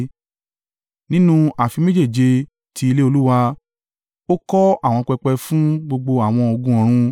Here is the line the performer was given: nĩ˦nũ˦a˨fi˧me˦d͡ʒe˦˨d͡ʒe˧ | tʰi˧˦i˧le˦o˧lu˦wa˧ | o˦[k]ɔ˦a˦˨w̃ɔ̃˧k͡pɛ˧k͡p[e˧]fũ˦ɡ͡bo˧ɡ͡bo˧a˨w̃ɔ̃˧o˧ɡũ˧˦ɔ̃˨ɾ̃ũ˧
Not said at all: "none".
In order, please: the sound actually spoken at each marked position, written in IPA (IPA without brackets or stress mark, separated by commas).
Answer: k, ɛ˧